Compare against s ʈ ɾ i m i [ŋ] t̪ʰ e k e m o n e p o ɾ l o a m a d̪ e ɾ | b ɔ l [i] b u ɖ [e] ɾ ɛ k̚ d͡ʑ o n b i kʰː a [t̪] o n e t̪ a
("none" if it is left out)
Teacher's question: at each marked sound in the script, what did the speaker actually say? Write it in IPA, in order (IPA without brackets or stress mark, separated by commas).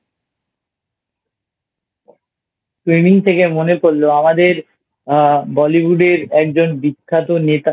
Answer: ŋ, i, e, t̪